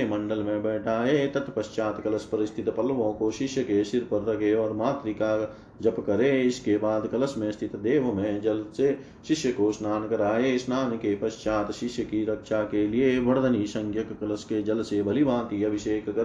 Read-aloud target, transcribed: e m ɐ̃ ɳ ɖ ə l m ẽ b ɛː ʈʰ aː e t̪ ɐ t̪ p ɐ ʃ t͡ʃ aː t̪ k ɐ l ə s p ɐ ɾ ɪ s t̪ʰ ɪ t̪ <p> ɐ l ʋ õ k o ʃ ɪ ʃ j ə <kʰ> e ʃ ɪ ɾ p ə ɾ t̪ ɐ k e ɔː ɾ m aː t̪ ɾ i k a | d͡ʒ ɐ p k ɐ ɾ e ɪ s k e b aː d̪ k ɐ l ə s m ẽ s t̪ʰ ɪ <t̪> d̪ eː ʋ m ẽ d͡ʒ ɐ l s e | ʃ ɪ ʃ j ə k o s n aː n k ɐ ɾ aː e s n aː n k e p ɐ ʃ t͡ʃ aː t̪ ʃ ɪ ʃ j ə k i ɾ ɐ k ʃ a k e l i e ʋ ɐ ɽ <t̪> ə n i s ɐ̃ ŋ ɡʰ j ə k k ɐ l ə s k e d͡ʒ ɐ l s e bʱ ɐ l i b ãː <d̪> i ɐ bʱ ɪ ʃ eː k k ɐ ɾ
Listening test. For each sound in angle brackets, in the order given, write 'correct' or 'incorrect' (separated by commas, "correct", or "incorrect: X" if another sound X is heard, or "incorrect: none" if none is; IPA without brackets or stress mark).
correct, incorrect: k, correct, incorrect: d̪, incorrect: t̪